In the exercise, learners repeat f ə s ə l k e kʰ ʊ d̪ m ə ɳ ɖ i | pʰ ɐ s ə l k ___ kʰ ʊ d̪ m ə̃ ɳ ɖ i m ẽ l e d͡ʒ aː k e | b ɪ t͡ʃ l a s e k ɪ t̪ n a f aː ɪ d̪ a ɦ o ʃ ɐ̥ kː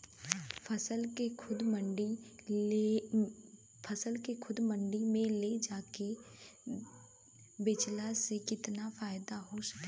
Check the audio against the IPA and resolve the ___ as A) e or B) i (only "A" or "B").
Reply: A